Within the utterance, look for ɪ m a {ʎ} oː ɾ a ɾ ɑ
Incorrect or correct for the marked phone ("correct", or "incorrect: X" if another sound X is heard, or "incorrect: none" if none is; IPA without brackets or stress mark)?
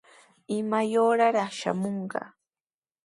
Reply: incorrect: j